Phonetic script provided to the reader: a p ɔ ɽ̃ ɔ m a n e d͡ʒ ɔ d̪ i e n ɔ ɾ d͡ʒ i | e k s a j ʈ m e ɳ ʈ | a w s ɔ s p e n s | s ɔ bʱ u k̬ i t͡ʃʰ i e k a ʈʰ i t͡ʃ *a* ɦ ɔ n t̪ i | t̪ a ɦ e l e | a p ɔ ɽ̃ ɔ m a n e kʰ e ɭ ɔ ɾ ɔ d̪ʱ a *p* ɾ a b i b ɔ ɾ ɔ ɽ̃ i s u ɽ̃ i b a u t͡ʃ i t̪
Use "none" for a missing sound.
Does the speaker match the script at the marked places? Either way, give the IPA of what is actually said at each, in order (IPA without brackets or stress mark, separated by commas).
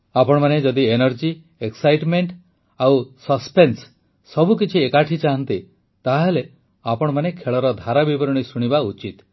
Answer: a, none